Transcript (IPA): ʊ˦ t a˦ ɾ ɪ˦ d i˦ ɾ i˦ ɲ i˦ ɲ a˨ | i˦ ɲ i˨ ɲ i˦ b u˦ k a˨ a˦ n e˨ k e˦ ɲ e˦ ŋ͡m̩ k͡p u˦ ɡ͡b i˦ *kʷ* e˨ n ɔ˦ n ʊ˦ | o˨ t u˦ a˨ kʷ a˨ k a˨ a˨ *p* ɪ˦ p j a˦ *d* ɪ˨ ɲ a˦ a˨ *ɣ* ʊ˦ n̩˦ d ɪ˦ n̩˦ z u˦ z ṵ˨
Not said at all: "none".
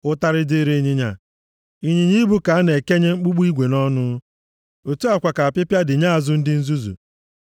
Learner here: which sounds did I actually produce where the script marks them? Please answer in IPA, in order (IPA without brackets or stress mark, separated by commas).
ɡʷ, p, d, z